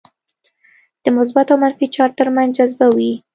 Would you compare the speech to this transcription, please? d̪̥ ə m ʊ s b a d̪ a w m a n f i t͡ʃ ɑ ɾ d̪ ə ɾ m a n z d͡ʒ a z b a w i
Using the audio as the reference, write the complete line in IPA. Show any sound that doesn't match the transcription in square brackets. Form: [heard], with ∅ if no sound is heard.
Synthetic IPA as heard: d̪̥ ə m ʊ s b a [t̪] a w m a n f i t͡ʃ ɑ ɾ [t̪] ə ɾ m a n z d͡ʒ a z b a w i